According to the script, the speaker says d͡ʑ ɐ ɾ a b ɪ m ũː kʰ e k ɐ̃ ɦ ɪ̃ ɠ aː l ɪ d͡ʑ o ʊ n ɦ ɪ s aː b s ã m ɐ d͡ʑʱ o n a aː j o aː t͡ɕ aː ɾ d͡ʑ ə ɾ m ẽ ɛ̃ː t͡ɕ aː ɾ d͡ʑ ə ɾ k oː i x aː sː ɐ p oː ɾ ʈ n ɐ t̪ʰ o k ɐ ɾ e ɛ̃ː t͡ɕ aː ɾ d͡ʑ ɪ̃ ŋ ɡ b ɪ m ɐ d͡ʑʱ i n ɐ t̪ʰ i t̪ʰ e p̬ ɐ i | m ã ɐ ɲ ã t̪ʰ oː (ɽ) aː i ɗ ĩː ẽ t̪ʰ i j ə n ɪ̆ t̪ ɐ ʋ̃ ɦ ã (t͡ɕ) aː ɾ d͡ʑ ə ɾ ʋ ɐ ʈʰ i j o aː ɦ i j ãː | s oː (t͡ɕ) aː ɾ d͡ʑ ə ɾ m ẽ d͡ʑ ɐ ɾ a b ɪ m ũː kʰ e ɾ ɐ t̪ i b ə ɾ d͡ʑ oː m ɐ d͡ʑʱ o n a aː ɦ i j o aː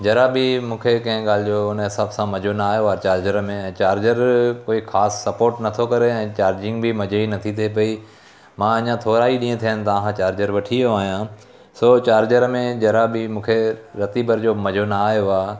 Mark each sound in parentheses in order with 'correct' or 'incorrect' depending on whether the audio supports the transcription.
incorrect: ɾ, correct, correct

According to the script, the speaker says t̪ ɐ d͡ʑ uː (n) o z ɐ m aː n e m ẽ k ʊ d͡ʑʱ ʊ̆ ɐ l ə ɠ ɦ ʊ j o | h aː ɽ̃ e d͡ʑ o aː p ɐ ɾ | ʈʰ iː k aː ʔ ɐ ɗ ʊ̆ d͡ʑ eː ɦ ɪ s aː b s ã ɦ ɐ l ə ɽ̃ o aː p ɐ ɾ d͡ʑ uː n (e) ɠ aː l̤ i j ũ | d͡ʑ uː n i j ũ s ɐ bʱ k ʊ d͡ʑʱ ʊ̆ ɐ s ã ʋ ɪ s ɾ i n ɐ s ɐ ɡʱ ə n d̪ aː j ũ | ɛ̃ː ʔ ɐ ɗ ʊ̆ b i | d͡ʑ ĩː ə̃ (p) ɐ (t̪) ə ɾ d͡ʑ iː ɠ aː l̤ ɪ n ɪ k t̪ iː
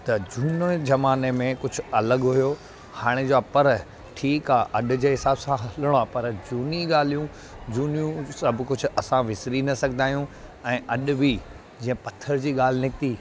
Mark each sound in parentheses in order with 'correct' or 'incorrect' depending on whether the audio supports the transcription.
correct, incorrect: i, correct, incorrect: t̪ʰ

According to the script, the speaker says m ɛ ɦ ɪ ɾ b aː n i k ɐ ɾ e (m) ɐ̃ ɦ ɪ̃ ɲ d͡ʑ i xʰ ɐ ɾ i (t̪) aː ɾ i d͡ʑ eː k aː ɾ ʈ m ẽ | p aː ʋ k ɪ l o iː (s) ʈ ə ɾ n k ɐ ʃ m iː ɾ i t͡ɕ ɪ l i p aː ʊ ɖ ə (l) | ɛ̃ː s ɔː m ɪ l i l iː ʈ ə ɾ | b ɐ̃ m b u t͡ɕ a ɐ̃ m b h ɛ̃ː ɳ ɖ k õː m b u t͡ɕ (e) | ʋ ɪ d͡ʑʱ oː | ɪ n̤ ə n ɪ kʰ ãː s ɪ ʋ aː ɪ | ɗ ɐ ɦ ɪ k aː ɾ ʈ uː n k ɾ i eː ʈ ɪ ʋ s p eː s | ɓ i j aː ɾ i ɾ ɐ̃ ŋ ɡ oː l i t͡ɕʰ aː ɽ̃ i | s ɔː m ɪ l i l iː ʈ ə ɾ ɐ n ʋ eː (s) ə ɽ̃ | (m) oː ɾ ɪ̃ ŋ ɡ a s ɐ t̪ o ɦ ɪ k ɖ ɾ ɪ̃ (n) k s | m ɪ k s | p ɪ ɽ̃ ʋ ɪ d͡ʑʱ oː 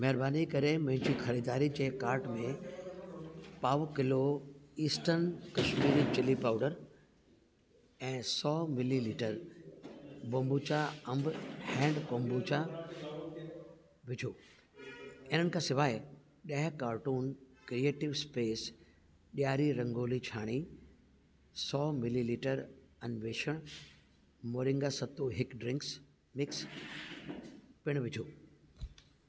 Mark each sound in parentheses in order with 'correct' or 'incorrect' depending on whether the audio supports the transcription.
correct, incorrect: d̪, correct, incorrect: ɾ, incorrect: a, incorrect: ʃ, correct, incorrect: ŋ

